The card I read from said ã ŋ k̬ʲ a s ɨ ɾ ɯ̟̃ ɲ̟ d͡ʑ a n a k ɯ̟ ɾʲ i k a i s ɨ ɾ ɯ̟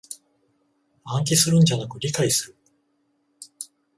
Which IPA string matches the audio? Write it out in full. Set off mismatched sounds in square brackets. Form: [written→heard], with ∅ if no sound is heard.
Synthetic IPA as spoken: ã ŋ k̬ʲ [a→i] s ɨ ɾ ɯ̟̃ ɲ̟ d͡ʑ a n a k ɯ̟ ɾʲ i k a i s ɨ ɾ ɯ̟